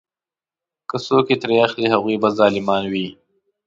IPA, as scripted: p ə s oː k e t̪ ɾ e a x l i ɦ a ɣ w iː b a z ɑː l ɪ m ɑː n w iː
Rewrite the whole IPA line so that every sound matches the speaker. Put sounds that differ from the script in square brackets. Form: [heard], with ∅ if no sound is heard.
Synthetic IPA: [k] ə s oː k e t̪ ɾ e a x l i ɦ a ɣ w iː b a z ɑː l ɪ m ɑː n w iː